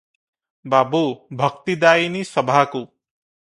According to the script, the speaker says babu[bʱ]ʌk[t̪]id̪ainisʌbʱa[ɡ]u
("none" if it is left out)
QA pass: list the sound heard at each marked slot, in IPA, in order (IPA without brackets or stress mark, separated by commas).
bʱ, t̪, k